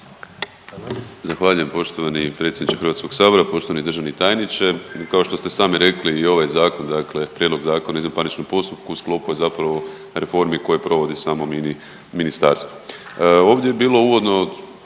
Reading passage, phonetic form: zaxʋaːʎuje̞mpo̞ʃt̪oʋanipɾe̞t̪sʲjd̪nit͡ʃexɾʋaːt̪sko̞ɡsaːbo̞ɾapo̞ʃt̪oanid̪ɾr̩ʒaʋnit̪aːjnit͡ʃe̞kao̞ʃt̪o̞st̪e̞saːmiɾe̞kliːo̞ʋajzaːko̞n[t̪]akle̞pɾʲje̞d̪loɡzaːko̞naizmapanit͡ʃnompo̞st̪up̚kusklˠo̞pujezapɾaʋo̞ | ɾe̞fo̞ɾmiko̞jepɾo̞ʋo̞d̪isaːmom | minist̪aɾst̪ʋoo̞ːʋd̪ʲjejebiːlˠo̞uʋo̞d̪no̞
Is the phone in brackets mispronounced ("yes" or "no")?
yes